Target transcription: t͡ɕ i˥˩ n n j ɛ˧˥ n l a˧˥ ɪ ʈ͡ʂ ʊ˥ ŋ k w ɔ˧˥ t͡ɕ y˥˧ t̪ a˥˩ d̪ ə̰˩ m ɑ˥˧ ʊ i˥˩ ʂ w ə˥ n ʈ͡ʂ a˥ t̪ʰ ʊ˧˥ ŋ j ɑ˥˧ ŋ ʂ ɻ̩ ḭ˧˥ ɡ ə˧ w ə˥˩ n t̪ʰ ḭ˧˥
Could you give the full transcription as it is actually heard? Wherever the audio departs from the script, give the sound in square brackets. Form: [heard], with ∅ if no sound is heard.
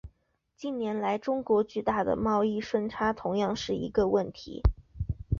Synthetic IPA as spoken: t͡ɕ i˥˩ n n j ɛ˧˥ n l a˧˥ ɪ ʈ͡ʂ ʊ˥ ŋ k w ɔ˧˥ t͡ɕ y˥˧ t̪ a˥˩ d̪ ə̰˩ m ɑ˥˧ ʊ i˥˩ ʂ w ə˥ n [ʈ͡ʂʰ] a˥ t̪ʰ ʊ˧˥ ŋ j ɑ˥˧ ŋ ʂ ɻ̩ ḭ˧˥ ɡ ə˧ w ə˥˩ n t̪ʰ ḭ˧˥